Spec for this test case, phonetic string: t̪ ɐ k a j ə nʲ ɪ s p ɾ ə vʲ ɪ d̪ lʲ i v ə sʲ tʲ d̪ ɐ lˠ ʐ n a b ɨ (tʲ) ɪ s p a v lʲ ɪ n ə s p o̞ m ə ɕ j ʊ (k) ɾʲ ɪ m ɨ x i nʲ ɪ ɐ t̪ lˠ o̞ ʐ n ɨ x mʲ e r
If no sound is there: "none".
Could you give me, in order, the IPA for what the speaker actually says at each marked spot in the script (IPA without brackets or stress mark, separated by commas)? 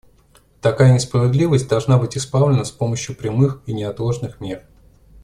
tʲ, p